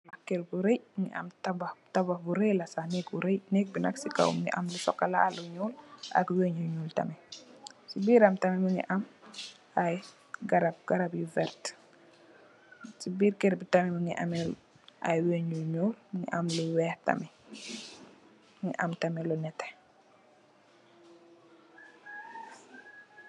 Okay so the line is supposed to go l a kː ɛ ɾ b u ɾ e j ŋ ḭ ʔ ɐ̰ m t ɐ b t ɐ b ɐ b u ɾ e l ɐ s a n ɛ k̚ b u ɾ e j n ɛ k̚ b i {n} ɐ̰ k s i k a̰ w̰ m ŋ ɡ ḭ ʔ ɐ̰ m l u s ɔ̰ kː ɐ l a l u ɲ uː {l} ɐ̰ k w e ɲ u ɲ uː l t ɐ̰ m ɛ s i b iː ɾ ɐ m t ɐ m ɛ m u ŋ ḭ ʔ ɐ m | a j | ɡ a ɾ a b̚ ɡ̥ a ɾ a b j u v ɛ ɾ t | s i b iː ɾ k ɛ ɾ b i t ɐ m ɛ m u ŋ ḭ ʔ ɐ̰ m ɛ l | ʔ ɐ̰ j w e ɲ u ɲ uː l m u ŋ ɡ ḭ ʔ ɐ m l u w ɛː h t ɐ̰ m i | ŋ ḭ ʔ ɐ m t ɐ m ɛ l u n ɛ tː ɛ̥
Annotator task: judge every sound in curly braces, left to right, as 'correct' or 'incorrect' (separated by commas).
correct, correct